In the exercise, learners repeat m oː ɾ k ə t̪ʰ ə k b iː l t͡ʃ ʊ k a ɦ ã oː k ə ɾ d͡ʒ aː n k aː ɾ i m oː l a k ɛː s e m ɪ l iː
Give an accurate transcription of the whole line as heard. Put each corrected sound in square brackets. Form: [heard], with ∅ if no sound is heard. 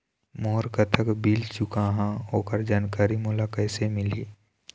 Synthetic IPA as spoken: m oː ɾ k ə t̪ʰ ə k b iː l t͡ʃ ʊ k a ɦ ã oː k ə ɾ d͡ʒ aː n k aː ɾ i m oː l a k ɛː s e m ɪ l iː